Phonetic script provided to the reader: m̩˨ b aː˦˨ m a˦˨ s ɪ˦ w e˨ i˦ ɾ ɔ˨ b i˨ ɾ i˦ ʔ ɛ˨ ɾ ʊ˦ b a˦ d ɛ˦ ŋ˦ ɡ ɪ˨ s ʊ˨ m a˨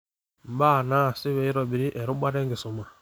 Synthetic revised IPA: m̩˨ b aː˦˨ n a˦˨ s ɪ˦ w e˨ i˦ ɾ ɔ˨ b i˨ ɾ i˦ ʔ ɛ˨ ɾ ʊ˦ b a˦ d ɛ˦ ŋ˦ ɡ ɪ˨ s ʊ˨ m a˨